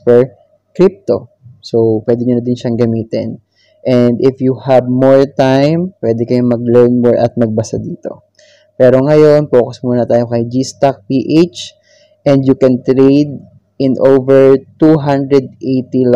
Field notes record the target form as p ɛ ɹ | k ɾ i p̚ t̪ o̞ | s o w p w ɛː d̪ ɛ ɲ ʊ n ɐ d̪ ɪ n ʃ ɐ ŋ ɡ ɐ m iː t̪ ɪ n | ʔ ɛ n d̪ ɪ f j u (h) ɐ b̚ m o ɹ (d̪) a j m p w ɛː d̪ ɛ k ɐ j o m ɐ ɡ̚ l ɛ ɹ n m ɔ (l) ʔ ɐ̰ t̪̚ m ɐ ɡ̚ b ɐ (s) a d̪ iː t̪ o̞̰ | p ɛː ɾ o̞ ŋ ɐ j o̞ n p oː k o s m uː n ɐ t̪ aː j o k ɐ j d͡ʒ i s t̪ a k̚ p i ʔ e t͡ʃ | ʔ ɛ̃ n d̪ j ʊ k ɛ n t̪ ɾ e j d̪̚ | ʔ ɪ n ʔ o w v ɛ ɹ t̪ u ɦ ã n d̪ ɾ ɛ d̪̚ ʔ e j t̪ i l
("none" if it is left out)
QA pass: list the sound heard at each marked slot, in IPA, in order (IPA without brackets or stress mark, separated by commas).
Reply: h, t̪, ɹ, s